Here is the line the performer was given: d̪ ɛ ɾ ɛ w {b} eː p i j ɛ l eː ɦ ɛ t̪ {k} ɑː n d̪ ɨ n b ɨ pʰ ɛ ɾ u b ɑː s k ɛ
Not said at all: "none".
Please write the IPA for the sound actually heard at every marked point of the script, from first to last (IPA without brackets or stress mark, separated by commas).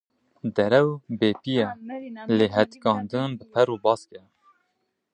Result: b, k